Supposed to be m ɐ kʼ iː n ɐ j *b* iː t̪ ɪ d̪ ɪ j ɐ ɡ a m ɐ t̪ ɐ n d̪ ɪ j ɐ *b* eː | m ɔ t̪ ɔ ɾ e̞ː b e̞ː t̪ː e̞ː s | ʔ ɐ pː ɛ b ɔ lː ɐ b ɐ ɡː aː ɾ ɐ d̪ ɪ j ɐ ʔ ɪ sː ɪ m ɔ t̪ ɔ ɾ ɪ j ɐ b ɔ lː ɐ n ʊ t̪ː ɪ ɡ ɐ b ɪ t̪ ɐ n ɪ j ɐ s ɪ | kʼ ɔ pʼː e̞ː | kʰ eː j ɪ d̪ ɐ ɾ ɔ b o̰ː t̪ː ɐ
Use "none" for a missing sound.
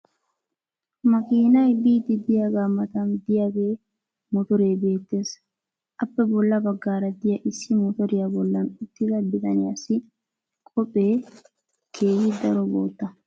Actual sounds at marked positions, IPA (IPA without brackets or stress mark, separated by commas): b, ɡ